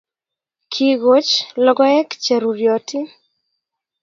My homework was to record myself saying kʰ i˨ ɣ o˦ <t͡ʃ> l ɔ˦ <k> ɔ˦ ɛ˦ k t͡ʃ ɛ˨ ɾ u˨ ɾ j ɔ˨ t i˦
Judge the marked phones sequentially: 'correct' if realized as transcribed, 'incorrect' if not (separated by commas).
correct, incorrect